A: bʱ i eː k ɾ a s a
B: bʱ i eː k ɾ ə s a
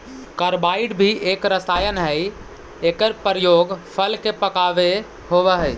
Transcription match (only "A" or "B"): B